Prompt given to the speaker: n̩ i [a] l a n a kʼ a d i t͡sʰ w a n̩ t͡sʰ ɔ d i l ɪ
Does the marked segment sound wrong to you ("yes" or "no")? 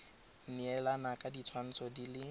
yes